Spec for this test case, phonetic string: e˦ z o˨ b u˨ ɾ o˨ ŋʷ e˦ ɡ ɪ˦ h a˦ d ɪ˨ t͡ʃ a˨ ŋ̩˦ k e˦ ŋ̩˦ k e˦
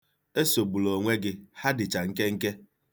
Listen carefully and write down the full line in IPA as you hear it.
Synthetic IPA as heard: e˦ s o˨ b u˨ l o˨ ŋʷ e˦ ɡ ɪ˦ h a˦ d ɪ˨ t͡ʃ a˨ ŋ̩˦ k e˦ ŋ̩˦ k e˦